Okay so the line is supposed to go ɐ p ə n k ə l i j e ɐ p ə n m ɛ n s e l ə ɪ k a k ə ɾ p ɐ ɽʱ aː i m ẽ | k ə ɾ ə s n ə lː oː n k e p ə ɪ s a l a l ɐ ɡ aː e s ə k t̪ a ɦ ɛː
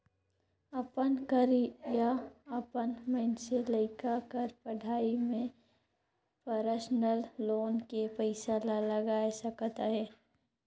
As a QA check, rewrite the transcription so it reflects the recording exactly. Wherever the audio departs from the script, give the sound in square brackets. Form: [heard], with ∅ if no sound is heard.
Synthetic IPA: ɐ p ə n k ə [ɾ] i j [a] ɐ p ə n m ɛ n s e l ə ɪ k a k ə ɾ p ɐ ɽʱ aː i m ẽ | [p] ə ɾ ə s n ə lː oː n k e p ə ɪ s a l a l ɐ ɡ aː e s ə k t̪ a ɦ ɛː

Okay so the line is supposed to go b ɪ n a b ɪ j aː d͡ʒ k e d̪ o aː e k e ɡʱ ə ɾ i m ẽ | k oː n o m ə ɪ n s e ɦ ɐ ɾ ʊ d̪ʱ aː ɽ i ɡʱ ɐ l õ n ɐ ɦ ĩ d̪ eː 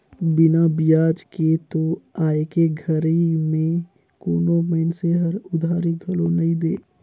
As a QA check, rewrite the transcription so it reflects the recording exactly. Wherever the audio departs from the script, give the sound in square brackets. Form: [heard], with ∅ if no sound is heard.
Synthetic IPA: b ɪ n a b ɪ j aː d͡ʒ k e [t̪] o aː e k e ɡʱ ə ɾ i m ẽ | k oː n o m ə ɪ n s e ɦ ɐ ɾ ʊ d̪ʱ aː [ɾ] i ɡʱ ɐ l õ n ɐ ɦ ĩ d̪ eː

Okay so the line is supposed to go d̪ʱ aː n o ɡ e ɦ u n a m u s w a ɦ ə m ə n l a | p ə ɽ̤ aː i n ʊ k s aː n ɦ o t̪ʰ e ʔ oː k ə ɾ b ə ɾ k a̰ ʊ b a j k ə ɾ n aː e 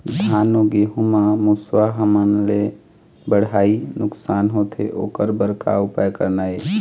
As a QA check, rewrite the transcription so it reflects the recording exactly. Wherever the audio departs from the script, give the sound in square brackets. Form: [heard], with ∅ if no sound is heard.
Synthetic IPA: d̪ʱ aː n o ɡ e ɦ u [m] a m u s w a ɦ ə m ə n l [e] | [b] ə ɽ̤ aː i n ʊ k s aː n ɦ o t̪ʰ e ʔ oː k ə ɾ b ə ɾ k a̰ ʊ [p] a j k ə ɾ n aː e

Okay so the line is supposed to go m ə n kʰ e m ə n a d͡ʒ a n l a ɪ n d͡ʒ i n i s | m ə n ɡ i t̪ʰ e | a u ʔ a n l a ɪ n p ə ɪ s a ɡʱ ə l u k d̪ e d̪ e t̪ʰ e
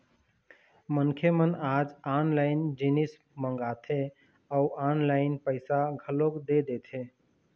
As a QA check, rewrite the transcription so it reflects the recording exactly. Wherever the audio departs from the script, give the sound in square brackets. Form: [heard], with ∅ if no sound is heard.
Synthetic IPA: m ə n kʰ e m ə n a d͡ʒ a n l a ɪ n d͡ʒ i n i s | m ə [ŋ] ɡ [a] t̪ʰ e | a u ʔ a n l a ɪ n p ə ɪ s a ɡʱ ə l [o] k d̪ e d̪ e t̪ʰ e

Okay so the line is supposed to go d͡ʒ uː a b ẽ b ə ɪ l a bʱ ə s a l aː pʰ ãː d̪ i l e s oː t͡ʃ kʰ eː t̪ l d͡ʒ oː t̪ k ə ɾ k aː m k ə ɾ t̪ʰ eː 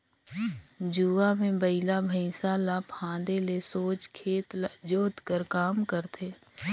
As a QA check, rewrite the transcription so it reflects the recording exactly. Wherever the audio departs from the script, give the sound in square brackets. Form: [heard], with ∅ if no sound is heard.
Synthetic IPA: d͡ʒ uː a [m] ẽ b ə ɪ l a bʱ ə s a l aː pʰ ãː d̪ [e] l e s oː t͡ʃ kʰ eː t̪ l d͡ʒ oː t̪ k ə ɾ k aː m k ə ɾ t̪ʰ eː

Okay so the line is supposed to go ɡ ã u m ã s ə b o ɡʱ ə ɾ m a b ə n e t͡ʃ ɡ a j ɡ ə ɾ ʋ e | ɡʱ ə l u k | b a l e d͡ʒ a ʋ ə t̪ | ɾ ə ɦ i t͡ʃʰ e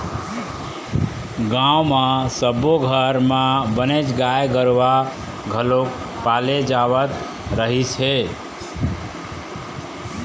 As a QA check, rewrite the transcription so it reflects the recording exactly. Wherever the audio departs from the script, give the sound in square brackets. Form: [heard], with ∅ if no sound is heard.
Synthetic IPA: ɡ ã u m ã s ə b o ɡʱ ə ɾ m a b ə n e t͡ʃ ɡ a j ɡ ə ɾ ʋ [a] | ɡʱ ə l [o] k | [p] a l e d͡ʒ a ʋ ə t̪ | ɾ ə ɦ i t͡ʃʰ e

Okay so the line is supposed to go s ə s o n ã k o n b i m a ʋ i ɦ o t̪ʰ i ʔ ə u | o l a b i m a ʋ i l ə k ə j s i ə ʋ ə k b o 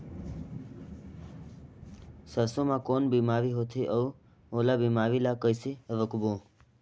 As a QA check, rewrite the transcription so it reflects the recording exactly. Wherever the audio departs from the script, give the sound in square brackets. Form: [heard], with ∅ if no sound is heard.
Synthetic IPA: s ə s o [m] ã k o n b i m a ʋ i ɦ o t̪ʰ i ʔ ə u | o l a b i m a ʋ i l [a] k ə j s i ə ʋ ə k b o

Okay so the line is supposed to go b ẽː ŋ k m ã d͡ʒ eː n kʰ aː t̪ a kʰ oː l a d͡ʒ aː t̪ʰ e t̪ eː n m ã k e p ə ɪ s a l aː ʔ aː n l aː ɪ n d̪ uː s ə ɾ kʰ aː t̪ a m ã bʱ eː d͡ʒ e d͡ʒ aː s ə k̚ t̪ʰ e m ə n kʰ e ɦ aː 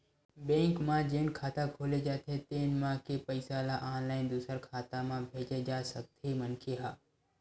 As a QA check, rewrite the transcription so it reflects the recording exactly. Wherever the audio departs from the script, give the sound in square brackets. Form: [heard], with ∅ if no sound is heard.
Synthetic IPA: b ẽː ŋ k m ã d͡ʒ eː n kʰ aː t̪ a kʰ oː l [e] d͡ʒ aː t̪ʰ e t̪ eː n m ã k e p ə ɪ s a l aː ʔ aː n l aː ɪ n d̪ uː s ə ɾ kʰ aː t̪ a m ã bʱ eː d͡ʒ e d͡ʒ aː s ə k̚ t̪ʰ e m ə n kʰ e ɦ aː

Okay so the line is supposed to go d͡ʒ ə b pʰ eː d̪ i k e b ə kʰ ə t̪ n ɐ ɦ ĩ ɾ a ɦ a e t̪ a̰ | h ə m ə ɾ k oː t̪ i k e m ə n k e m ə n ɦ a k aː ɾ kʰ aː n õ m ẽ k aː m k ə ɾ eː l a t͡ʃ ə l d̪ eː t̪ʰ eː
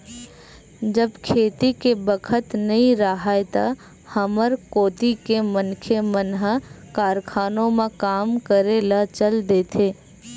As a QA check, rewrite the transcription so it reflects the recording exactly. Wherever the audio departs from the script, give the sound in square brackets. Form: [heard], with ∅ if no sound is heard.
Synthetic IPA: d͡ʒ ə b [kʰ] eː [t̪] i k e b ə kʰ ə t̪ n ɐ ɦ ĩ ɾ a ɦ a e t̪ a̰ | h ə m ə ɾ k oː t̪ i k e m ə n [kʰ] e m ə n ɦ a k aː ɾ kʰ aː n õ m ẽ k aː m k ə ɾ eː l a t͡ʃ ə l d̪ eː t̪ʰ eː

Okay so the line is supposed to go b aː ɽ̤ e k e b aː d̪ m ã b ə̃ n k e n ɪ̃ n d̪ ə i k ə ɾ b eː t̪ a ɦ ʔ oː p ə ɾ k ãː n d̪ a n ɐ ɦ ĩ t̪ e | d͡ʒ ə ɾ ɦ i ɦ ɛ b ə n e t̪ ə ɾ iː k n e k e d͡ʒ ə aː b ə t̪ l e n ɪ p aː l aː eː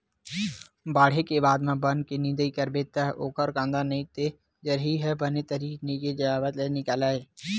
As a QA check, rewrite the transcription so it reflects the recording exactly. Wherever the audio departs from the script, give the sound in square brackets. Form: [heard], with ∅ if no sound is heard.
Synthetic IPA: b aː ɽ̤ e k e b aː d̪ m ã b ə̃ n k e n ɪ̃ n d̪ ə i k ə ɾ b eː t̪ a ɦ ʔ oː [k] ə ɾ k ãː n d̪ a n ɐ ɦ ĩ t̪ e | d͡ʒ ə ɾ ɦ i ɦ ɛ b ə n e t̪ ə ɾ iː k n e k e d͡ʒ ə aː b ə t̪ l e n ɪ [k] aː l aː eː

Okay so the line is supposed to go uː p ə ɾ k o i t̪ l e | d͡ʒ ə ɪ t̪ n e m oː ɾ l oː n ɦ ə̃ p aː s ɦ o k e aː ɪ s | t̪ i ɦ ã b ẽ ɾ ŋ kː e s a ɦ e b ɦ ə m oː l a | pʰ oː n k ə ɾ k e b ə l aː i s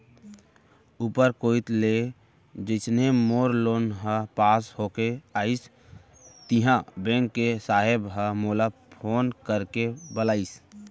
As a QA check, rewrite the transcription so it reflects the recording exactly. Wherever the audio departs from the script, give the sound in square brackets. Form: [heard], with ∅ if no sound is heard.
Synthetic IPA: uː p ə ɾ k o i t̪ l e | d͡ʒ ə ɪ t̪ n e m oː ɾ l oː n ɦ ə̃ p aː s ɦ o k e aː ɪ s | t̪ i ɦ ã b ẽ [∅] ŋ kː e s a ɦ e b ɦ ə m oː l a | pʰ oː n k ə ɾ k e b ə l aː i s

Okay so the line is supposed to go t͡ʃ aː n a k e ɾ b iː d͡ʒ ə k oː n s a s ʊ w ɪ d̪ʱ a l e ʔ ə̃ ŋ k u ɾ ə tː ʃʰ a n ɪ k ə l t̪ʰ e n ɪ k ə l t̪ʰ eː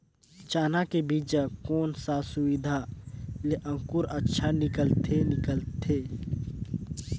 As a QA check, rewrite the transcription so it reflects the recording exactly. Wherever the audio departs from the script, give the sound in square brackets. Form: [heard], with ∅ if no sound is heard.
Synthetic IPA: t͡ʃ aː n a k e [∅] b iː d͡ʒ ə k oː n s a s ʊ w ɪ d̪ʱ a l e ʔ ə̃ ŋ k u ɾ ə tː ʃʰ a n ɪ k ə l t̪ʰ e n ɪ k ə l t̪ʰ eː

